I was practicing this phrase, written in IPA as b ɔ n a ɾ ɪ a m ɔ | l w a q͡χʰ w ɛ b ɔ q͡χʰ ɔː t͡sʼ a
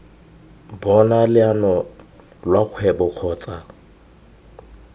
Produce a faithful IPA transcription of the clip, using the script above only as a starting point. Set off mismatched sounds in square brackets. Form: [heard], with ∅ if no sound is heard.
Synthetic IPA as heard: b ɔ n a [l] ɪ a [n] ɔ | l w a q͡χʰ w ɛ b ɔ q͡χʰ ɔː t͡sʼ a